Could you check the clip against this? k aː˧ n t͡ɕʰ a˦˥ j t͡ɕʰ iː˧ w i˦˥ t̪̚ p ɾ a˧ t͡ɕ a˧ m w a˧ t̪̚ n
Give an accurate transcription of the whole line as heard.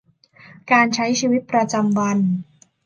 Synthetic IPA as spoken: k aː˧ n t͡ɕʰ a˦˥ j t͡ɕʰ iː˧ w i˦˥ t̪̚ p ɾ a˧ t͡ɕ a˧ m w a˧ n